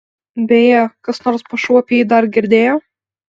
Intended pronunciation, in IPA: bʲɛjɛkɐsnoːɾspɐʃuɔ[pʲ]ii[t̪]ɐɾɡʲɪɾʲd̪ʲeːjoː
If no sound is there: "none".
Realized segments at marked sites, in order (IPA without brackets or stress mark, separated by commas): pʲ, d̪